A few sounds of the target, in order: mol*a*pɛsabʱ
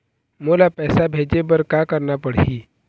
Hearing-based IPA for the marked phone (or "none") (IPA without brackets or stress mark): a